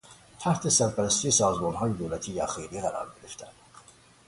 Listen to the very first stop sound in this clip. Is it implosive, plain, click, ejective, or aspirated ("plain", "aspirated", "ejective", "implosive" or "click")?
aspirated